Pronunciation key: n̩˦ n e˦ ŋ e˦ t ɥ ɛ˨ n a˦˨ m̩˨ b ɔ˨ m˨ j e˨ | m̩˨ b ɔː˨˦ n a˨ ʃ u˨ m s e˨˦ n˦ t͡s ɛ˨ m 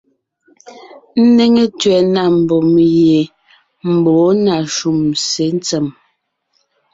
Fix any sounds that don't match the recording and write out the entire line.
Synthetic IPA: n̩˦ n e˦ ŋ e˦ t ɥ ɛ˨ n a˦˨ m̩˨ b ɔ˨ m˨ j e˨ | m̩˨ b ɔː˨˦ n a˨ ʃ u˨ m s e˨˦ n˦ t͡s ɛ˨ m